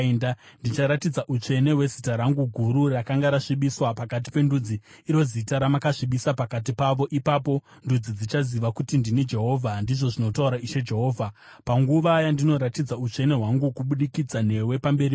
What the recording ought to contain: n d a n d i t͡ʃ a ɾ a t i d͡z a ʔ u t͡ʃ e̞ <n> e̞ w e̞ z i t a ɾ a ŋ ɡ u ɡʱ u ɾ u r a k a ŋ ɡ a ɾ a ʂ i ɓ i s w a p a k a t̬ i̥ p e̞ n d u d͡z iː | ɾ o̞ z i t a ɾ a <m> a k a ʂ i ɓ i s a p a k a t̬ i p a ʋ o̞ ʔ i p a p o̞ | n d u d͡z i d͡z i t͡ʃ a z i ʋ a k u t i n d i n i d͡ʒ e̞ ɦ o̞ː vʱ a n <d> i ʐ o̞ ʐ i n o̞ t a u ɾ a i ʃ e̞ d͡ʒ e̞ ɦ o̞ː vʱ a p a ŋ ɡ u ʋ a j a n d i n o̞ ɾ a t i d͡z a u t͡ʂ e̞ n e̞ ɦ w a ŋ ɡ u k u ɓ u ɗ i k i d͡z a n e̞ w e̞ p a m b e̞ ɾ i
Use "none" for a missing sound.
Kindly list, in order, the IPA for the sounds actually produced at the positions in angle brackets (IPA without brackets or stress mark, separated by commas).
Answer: n, m, d